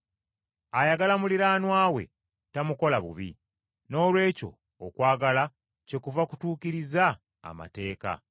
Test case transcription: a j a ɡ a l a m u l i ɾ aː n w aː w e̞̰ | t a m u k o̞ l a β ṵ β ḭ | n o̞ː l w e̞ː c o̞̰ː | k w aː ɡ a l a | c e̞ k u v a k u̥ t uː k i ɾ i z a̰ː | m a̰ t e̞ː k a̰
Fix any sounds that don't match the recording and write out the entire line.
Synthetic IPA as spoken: a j a ɡ a l a m u l i ɾ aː n w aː w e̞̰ | t a m u k o̞ l a β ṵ β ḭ | n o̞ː l w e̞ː c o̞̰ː | k w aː ɡ a l a | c e̞ k u v a k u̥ t uː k i ɾ i z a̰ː | m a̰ t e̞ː k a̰